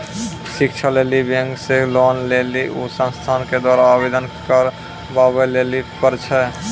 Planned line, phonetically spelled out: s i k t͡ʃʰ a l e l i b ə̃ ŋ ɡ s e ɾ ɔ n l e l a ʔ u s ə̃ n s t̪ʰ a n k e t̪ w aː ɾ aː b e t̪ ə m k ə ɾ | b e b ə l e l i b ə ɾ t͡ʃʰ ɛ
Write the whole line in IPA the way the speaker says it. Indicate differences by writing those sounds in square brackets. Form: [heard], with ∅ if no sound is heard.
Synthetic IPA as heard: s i k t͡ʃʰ a l e l i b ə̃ ŋ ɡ s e [l] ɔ n l e l [i] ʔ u s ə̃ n s t̪ʰ a n k e [d̪] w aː ɾ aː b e [d̪] ə [n] k ə ɾ | b [a] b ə l e l i [p] ə ɾ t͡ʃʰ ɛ